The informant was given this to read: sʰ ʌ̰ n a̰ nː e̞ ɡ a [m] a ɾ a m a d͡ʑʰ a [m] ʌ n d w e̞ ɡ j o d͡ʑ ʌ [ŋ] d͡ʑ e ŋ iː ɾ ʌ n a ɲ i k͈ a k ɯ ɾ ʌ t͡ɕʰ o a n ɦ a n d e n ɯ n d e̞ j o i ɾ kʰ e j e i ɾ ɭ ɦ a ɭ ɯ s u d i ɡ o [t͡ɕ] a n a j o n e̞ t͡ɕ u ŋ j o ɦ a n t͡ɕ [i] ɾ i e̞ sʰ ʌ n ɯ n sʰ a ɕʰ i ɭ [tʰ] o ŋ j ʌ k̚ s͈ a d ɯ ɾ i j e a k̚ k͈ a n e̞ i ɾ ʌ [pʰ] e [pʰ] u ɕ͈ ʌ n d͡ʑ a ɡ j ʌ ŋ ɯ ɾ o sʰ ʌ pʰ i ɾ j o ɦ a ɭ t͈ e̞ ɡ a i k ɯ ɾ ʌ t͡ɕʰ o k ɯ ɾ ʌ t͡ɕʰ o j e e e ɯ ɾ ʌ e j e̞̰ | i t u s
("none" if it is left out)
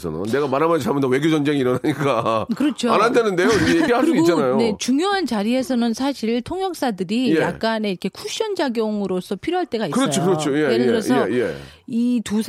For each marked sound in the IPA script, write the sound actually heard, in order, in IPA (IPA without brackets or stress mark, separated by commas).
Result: m, m, n, t͡ɕ, a, tʰ, kʰ, kʰ